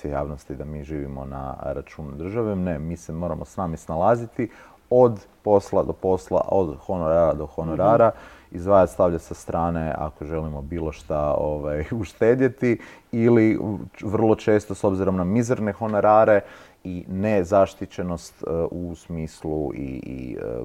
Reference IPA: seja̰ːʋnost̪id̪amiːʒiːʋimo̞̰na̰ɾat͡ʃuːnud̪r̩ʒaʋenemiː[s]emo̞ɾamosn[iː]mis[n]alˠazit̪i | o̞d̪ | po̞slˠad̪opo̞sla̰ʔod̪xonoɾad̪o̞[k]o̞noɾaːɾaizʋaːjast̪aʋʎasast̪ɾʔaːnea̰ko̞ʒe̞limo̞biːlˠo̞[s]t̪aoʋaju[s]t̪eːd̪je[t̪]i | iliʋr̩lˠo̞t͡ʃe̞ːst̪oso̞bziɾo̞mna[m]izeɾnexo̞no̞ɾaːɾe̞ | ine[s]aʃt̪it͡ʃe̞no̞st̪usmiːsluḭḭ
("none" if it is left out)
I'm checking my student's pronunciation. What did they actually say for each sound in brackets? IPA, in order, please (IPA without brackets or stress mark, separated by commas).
s, aː, n, x, ʃ, ʃ, t̪, m, z